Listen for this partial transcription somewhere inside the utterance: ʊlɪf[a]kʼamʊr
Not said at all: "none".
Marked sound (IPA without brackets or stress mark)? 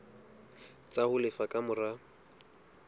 a